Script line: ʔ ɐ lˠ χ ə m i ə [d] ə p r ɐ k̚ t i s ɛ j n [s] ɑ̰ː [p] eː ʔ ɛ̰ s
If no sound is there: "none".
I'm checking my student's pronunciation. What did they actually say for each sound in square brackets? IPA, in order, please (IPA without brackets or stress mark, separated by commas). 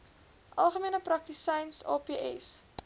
n, s, p